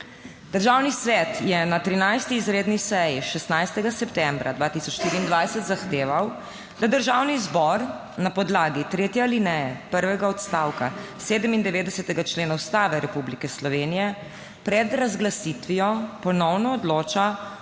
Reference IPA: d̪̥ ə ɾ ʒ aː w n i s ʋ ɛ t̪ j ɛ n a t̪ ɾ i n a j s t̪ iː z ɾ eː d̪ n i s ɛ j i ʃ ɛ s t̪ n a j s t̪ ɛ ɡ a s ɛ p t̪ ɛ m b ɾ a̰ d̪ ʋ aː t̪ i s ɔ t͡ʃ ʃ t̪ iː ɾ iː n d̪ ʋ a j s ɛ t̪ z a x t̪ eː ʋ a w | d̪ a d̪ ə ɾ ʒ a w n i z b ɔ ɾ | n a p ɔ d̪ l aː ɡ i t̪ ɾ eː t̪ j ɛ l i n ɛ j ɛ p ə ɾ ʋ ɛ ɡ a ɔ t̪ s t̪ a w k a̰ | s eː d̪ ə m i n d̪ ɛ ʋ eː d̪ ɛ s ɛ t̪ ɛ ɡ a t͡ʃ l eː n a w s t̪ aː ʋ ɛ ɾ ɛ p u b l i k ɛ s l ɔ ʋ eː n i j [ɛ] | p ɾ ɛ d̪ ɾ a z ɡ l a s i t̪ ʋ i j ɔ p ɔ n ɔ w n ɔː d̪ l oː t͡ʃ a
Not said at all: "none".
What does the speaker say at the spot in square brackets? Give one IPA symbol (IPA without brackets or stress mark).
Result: ɛ